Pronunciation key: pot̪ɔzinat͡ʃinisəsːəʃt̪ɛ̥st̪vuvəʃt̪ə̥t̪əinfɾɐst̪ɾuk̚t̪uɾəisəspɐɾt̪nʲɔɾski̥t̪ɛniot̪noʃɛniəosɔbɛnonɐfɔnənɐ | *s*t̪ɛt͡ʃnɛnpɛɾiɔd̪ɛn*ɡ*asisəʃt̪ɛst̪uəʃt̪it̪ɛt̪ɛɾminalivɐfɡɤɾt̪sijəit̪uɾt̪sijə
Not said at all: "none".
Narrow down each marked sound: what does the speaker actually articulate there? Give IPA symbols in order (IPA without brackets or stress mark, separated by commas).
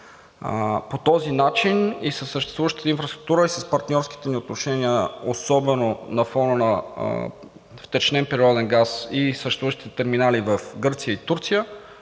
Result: f, ɡ